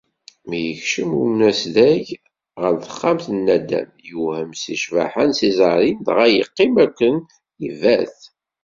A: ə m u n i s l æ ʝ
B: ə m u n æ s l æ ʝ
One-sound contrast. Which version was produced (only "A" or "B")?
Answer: B